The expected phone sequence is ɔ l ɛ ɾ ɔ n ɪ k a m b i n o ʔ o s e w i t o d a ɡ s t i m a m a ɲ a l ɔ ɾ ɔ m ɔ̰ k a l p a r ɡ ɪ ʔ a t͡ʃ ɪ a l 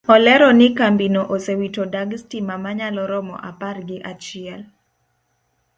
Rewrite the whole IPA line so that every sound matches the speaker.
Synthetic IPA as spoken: ɔ l ɛ ɾ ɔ n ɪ k a m b i n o ʔ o s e w i t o d a ɡ s t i m a m a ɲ a l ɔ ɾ ɔ m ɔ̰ ʔ a p a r ɡ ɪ ʔ a t͡ʃ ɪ ɛ l